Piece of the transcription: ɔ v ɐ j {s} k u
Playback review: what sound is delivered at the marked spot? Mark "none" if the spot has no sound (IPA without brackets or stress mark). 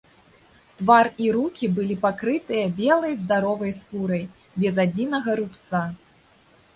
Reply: s